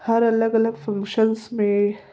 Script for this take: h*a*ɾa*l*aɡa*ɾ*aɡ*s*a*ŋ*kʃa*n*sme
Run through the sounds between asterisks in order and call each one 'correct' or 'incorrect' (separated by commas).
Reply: correct, correct, incorrect, incorrect, correct, correct